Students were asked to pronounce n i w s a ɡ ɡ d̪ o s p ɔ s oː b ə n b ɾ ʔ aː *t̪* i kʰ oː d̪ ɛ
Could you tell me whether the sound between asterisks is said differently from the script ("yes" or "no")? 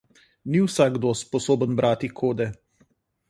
no